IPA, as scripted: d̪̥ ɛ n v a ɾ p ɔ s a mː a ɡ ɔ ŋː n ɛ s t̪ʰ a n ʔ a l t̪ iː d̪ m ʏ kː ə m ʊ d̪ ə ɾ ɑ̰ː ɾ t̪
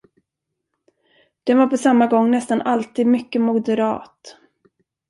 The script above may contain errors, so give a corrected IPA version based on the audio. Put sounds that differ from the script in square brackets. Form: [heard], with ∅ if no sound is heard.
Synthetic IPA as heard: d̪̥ ɛ n v a ɾ p ɔ s a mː a ɡ ɔ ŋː n ɛ s [t̪] a n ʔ a l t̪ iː d̪ m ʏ kː ə m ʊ d̪ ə ɾ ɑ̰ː [∅] t̪